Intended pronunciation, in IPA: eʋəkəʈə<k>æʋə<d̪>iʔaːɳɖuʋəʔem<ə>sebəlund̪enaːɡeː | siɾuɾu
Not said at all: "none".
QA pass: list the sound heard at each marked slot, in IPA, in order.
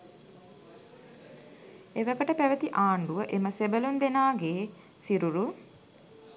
p, t̪, ə

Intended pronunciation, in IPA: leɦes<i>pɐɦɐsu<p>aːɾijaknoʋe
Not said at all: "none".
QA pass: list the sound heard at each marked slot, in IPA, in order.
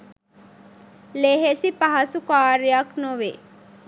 i, k

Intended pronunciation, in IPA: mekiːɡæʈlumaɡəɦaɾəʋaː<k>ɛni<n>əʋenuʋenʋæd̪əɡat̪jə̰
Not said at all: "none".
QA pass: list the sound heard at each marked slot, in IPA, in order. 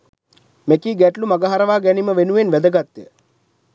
ɡ, m

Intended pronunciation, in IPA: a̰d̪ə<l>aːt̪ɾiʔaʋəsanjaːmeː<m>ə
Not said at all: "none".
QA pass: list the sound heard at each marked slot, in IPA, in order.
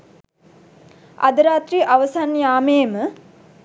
ɾ, m

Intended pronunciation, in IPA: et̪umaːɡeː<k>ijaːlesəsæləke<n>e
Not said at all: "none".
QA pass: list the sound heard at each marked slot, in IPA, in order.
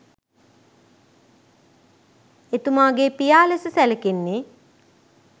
p, nː

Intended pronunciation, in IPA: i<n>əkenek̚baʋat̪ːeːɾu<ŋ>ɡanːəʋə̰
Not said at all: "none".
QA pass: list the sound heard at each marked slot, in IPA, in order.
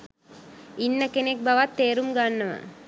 nː, m

